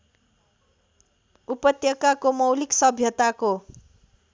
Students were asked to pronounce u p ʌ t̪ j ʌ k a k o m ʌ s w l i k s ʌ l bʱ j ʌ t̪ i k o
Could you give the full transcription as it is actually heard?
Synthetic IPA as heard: u p ʌ t̪ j ʌ k a k o m ʌ w l i k s ʌ bʱ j ʌ t̪ a k o